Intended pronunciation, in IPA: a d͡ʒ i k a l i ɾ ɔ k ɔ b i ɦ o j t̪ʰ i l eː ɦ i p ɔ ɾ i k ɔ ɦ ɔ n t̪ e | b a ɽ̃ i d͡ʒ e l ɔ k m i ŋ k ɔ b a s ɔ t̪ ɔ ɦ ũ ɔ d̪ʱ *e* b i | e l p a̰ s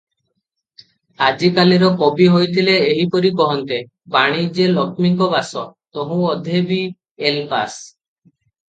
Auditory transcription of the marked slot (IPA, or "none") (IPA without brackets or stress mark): e